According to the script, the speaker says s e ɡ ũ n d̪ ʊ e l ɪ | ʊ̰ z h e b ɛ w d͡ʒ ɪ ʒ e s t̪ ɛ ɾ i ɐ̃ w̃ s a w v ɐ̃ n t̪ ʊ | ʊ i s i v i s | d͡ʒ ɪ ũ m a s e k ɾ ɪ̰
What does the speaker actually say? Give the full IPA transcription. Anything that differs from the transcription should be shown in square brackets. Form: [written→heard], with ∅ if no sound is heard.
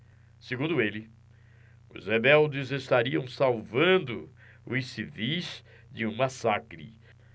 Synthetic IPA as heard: s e ɡ ũ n d̪ ʊ e l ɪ | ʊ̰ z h e b ɛ w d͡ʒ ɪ [ʒ→z] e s t̪ [ɛ→a] ɾ i ɐ̃ w̃ s a w v ɐ̃ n [t̪→d̪] ʊ | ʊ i s i v i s | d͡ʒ ɪ ũ m a s [e→a] k ɾ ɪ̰

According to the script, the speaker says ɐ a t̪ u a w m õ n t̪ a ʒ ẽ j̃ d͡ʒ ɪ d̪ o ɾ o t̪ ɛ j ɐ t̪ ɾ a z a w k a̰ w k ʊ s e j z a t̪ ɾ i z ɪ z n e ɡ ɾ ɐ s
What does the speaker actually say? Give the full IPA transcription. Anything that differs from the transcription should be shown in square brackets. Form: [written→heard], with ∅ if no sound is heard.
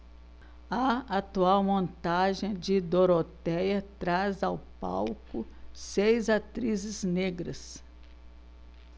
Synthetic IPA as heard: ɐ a t̪ u a w m õ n t̪ a ʒ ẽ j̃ d͡ʒ ɪ d̪ o ɾ o t̪ ɛ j ɐ t̪ ɾ a z a w [k→p] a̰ w k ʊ s e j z a t̪ ɾ i z ɪ z n e ɡ ɾ ɐ s

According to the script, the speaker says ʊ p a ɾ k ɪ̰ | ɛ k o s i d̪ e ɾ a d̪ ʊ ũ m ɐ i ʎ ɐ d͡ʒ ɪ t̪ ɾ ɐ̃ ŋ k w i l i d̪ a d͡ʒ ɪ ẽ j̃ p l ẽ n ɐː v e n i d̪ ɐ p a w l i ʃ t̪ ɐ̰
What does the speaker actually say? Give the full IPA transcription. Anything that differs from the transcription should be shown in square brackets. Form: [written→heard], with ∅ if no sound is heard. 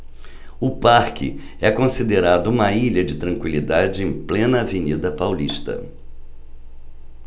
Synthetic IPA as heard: ʊ p a ɾ k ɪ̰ | ɛ k [o→õ] s i d̪ e ɾ a d̪ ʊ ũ m ɐ i ʎ ɐ d͡ʒ ɪ t̪ ɾ ɐ̃ ŋ k w i l i d̪ a d͡ʒ ɪ ẽ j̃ p l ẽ n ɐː v e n i d̪ ɐ p a w l i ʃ t̪ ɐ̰

